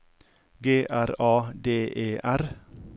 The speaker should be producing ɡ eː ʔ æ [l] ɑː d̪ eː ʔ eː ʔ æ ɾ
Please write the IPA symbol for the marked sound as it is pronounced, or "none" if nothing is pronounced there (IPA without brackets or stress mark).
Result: ɾ